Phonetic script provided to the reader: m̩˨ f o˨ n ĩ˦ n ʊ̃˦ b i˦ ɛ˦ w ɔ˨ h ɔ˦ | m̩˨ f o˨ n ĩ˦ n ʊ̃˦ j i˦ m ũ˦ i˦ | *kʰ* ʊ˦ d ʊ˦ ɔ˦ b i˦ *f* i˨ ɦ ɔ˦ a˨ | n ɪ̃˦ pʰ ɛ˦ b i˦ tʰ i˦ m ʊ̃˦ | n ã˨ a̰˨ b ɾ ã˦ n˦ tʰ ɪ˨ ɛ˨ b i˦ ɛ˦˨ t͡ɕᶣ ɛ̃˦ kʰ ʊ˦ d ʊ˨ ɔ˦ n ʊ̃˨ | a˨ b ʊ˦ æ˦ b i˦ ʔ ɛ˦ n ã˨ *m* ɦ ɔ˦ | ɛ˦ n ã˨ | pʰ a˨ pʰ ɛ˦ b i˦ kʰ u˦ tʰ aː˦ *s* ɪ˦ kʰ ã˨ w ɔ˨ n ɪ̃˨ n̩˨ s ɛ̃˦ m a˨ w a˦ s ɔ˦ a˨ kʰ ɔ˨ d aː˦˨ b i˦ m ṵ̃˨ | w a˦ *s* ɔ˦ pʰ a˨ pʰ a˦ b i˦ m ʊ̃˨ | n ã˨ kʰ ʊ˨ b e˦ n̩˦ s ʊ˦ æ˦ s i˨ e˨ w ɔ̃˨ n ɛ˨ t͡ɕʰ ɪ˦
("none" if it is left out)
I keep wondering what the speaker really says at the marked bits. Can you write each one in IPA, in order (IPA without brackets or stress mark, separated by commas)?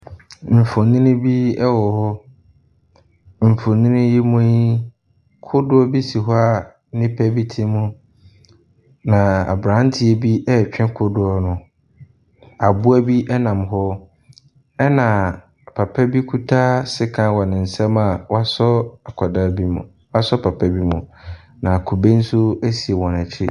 kʰ, s, m, s, s